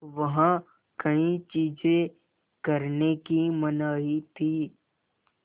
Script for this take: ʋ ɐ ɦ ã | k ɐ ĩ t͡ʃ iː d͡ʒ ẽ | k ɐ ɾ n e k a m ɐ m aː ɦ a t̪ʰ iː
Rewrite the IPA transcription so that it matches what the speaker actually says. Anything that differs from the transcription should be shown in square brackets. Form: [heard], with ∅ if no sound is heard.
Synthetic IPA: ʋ ɐ ɦ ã | k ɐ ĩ t͡ʃ iː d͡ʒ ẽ | k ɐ ɾ n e k [i] m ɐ [n] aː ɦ [i] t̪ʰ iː